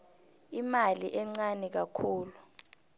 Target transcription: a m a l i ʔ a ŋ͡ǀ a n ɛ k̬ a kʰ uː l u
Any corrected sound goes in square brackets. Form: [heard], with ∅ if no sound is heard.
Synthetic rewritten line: [i] m a l i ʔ [ɛ] ŋ͡ǀ a n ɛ k̬ a kʰ uː l u